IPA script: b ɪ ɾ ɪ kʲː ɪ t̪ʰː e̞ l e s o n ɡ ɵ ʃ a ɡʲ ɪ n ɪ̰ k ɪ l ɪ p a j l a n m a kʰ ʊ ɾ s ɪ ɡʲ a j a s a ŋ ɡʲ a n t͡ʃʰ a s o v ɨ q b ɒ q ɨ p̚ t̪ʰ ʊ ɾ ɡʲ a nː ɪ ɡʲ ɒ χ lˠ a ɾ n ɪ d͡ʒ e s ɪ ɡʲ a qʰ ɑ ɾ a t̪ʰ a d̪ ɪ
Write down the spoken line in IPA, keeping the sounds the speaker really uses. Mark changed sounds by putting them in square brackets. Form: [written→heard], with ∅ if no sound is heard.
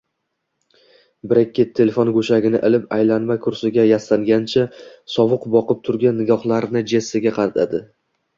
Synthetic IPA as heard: b ɪ ɾ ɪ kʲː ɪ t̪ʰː e̞ l e [s→f] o n ɡ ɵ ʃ a ɡʲ ɪ n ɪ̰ [k→ʔ] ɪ l ɪ p a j l a n m a kʰ ʊ ɾ s ɪ ɡʲ a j a s a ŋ ɡʲ a n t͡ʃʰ a s [o→ɒ] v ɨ q b ɒ q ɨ p̚ t̪ʰ ʊ ɾ ɡʲ a nː ɪ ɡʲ ɒ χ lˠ a ɾ n ɪ d͡ʒ e s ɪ ɡʲ a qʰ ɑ ɾ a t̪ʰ a d̪ ɪ